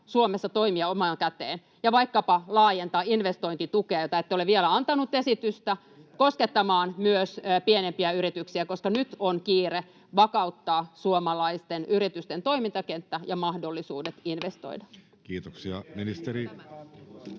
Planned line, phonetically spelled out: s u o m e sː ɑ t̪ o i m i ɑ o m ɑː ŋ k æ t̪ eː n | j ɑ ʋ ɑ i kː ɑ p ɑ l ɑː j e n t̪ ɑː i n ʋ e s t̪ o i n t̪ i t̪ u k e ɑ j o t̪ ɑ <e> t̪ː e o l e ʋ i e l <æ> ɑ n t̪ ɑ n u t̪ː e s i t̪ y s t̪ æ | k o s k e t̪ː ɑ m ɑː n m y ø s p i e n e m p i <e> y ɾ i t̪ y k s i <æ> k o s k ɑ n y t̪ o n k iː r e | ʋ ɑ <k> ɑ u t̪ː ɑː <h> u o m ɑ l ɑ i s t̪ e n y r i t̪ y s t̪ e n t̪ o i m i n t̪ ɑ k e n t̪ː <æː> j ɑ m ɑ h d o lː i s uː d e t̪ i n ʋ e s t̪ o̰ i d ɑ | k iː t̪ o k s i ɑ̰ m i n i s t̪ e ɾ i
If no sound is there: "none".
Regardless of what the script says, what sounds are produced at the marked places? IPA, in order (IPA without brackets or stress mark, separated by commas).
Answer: e, æ, æ, æ, k, s, æ